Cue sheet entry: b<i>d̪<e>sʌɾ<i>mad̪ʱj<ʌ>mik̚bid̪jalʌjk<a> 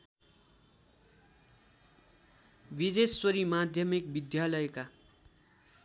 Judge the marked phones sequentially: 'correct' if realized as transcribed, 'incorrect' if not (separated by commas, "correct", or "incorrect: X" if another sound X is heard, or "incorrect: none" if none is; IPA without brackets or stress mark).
correct, correct, correct, correct, correct